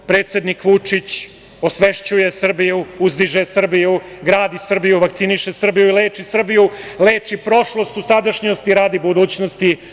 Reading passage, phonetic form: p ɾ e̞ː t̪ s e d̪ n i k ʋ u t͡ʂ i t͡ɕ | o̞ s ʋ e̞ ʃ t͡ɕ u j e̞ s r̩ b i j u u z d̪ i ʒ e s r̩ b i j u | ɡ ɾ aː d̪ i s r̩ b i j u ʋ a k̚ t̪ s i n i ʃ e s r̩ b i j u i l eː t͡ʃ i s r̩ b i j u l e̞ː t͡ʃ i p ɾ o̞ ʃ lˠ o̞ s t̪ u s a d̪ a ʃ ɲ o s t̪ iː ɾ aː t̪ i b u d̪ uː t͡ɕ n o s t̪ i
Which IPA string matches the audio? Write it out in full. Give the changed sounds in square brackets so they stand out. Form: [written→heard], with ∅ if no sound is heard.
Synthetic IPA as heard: p ɾ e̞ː t̪ s e d̪ n i k ʋ u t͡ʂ i t͡ɕ | o̞ s ʋ e̞ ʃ t͡ɕ u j e̞ s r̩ b i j u u z d̪ i ʒ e s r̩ b i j u | ɡ ɾ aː d̪ i s r̩ b i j u ʋ a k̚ t̪ s i n i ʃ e s r̩ b i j u i l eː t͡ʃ i s r̩ b i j u l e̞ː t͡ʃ i p ɾ o̞ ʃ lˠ o̞ s t̪ u s a d̪ a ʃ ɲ o s t̪ [iː→i] ɾ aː [t̪→d̪] i b u d̪ uː t͡ɕ n o s t̪ i